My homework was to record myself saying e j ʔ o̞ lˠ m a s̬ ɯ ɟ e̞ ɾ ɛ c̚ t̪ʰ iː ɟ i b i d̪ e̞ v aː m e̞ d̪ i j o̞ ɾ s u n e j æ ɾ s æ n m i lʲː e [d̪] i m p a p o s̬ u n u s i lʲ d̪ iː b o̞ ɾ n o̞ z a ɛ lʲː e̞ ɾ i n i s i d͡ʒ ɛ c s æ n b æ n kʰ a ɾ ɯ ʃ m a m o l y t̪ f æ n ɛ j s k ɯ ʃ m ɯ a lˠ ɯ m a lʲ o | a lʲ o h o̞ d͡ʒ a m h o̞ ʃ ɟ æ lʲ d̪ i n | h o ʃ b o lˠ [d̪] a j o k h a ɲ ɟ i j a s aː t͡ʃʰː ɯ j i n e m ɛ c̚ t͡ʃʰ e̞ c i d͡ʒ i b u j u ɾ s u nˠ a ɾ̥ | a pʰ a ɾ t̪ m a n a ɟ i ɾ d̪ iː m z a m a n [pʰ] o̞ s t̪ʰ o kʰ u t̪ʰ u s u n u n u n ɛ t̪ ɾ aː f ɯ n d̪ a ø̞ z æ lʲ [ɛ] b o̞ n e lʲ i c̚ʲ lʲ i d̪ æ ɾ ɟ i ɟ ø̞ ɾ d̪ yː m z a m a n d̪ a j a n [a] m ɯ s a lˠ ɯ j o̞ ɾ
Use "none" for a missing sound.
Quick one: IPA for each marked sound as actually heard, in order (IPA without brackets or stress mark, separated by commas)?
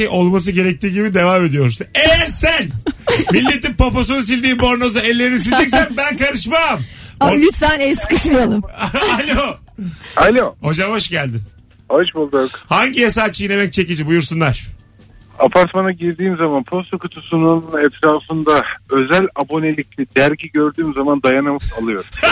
t̪, d̪, pʰ, a, a